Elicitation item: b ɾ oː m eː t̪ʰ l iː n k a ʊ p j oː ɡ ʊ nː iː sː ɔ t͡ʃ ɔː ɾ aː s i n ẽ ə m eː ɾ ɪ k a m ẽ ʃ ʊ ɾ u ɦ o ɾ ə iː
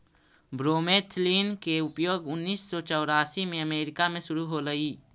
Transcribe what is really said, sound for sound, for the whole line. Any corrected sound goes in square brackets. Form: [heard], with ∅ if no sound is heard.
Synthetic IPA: b ɾ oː m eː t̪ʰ l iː n k [e] ʊ p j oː ɡ ʊ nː iː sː ɔ t͡ʃ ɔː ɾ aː s i [m] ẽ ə m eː ɾ ɪ k a m ẽ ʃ ʊ ɾ u ɦ o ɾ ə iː